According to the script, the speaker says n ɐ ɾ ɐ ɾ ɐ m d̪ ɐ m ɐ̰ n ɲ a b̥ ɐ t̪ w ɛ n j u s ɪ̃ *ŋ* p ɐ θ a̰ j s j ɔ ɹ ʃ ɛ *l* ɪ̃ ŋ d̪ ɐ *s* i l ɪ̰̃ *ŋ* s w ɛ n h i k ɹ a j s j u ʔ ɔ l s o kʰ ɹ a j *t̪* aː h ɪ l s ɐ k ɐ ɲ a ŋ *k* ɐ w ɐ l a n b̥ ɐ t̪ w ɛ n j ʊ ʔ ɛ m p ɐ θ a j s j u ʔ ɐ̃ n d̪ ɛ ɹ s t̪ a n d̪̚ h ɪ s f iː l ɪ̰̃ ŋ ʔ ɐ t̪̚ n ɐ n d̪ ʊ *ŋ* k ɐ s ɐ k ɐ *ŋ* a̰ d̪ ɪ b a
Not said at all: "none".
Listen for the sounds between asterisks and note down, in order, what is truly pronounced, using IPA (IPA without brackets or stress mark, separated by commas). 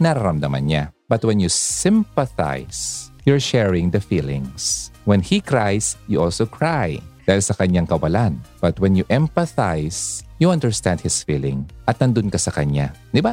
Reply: m, ɹ, f, ŋ, d̪, k, n, ɲ